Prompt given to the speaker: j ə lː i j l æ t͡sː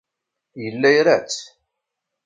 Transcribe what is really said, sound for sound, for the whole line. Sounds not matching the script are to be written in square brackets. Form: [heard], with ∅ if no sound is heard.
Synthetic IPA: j ə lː [æ] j [ɾ] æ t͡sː